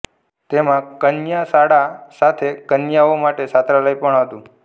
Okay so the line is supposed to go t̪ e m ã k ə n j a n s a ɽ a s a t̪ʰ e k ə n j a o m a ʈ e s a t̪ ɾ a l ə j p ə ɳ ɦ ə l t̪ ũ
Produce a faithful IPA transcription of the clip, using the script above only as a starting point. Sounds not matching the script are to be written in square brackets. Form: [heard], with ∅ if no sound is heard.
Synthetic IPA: t̪ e m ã k ə n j a [∅] s a ɽ a s a t̪ʰ e k ə n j a o m a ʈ e s a t̪ ɾ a l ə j p ə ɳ ɦ ə [∅] t̪ ũ